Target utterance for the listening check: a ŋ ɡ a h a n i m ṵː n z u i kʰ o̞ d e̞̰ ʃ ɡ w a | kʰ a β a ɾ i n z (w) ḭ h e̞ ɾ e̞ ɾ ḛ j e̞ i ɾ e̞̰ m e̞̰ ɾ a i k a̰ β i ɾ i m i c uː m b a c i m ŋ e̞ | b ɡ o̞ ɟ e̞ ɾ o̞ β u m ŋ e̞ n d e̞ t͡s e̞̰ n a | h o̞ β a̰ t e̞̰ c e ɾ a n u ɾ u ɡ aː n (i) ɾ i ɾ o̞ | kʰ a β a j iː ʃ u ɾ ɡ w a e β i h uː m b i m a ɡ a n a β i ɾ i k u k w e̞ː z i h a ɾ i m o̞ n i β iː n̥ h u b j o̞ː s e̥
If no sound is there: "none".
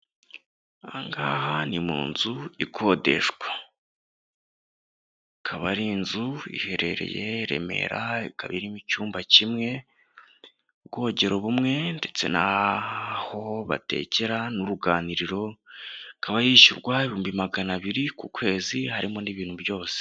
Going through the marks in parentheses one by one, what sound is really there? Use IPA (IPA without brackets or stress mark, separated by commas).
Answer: u, i